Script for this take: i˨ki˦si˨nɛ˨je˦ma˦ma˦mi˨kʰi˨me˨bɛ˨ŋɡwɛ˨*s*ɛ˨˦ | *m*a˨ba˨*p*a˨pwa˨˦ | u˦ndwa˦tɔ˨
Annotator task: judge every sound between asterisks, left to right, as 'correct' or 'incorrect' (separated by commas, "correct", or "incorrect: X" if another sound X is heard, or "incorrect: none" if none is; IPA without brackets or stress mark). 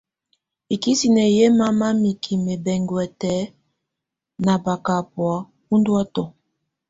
incorrect: t, incorrect: n, incorrect: k